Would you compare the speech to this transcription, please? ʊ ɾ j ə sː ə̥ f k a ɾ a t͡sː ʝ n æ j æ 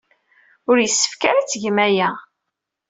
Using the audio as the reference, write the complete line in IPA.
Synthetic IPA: ʊ ɾ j ə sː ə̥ f k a ɾ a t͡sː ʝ m æ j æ